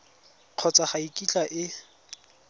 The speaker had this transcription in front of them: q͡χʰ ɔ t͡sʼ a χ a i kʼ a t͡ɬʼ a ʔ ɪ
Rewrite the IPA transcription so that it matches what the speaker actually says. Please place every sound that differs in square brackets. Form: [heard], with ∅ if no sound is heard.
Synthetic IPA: q͡χʰ ɔ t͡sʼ a χ a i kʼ [i] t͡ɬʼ a ʔ ɪ